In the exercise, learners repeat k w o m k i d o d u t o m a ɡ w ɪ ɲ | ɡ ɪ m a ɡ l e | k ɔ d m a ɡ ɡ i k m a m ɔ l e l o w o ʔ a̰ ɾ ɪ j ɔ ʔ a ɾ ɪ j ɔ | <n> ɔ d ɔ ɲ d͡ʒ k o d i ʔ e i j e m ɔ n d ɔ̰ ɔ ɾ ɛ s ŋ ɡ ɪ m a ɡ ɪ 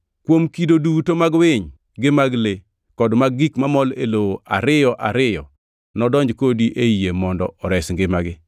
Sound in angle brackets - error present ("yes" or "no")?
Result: no